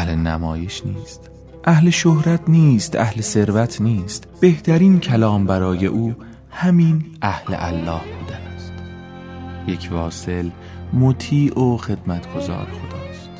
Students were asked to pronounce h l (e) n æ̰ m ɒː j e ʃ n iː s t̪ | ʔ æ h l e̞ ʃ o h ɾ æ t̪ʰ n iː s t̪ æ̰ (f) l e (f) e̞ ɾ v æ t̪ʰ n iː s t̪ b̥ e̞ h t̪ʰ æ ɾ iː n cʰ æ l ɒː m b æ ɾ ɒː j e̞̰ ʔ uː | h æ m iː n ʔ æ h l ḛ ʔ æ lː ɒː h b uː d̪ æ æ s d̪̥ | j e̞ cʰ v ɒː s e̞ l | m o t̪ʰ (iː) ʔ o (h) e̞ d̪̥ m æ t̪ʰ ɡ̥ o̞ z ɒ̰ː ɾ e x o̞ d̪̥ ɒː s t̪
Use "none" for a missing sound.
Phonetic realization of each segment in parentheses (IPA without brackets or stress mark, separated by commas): e, h, s, iː, x